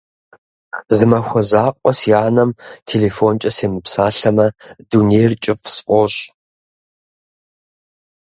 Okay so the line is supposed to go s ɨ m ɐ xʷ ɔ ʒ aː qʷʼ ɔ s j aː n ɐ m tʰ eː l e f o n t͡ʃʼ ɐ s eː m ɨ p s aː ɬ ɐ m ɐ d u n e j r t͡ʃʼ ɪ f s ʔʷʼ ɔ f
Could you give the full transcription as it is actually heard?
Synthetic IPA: z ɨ m ɐ xʷ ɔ z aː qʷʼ ɔ s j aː n ɐ m tʰ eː l e f o n t͡ʃʼ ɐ s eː m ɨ p s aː ɬ ɐ m ɐ d u n e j r t͡ʃʼ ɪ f s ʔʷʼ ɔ ɕ